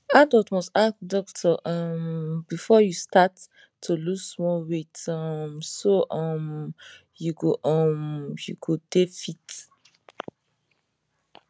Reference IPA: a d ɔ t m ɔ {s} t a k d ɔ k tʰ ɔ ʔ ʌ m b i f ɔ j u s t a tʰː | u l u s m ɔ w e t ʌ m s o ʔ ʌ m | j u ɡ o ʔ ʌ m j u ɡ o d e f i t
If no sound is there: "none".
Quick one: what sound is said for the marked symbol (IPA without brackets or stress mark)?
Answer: s